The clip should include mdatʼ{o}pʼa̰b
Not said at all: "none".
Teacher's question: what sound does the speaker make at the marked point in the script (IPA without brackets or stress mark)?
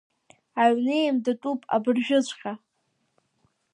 u